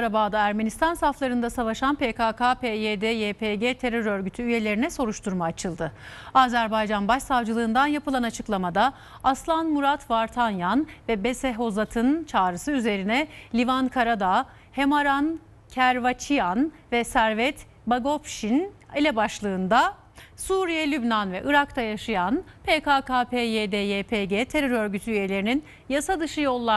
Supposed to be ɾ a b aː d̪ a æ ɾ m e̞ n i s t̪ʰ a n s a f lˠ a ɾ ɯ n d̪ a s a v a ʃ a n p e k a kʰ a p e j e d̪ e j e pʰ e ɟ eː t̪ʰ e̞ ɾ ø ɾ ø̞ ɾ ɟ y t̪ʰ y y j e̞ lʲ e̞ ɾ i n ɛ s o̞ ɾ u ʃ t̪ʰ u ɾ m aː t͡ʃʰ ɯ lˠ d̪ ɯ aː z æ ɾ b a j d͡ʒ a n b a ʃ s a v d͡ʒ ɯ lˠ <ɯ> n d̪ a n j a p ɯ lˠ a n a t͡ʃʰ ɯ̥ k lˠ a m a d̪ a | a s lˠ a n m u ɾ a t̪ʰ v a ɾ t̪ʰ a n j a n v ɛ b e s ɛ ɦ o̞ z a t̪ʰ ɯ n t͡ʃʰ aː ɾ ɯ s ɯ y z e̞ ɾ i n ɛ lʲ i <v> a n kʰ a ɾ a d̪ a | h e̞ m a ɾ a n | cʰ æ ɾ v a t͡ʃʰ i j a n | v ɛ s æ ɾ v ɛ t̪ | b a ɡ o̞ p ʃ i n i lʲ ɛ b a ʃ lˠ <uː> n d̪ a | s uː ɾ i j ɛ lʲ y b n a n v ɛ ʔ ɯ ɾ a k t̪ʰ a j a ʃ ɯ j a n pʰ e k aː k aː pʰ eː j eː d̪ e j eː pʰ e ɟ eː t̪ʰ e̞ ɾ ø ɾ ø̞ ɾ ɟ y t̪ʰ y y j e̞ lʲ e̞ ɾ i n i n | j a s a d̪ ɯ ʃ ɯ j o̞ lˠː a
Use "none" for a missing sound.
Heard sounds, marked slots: ɯː, v, ɯː

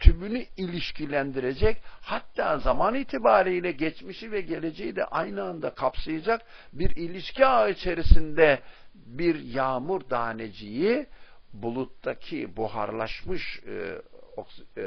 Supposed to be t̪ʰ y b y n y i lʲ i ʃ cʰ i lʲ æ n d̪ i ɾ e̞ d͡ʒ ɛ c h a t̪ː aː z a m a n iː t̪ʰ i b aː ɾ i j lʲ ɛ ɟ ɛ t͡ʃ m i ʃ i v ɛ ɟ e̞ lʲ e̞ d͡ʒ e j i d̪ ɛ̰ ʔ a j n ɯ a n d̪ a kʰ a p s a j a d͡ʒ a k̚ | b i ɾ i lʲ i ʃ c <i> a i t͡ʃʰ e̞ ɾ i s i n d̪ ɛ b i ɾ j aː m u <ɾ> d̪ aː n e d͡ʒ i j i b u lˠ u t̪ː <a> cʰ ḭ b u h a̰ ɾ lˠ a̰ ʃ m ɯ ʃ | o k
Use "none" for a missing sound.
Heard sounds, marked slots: i, ɾ, a

